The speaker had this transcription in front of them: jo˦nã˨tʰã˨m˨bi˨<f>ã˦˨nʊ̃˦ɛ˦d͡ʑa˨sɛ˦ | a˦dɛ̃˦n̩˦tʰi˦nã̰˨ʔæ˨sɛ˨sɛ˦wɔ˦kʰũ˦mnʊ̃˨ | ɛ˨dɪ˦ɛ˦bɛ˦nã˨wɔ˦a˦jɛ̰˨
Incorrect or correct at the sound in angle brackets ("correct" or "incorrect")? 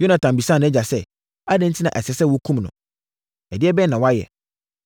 incorrect